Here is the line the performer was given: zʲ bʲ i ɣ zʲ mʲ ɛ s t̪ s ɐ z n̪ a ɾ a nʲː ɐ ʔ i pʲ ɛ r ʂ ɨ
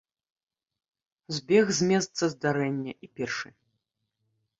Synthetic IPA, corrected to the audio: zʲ bʲ ɛ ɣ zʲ mʲ ɛ s t̪ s ɐ z d̪ a ɾ ɛ nʲː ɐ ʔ i pʲ ɛ r ʂ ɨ